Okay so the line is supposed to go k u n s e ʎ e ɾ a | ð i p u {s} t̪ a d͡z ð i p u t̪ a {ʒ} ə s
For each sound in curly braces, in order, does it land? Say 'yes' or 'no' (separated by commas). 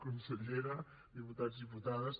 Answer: no, no